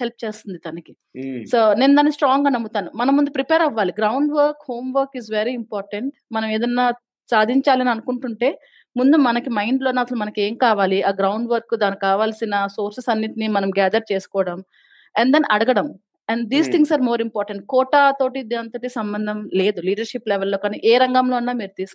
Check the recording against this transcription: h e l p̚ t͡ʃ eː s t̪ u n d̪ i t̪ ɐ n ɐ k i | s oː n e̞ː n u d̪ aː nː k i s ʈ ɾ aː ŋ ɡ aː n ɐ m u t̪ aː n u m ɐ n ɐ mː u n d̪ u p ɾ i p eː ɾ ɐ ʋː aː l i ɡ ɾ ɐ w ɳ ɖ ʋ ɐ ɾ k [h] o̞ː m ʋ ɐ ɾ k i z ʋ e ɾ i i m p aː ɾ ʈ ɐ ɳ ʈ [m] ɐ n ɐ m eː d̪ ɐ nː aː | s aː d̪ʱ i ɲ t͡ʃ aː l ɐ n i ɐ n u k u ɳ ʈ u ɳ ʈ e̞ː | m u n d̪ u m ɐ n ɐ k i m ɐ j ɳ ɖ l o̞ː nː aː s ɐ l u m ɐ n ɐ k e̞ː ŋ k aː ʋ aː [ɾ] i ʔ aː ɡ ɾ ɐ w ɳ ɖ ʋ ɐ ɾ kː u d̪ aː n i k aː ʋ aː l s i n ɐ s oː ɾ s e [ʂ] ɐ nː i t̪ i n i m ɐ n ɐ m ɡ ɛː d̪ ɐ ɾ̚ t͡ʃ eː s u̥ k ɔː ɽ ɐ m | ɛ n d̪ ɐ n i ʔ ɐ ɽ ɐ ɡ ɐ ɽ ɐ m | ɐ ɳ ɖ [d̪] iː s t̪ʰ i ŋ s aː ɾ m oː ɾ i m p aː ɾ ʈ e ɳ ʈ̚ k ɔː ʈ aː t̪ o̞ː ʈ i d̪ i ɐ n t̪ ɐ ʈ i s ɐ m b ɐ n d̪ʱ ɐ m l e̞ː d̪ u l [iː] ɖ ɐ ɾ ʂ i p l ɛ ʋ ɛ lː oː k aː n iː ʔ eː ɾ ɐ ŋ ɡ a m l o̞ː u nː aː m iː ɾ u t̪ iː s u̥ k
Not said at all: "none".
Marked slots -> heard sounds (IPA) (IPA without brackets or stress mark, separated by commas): h, m, l, s, d̪, iː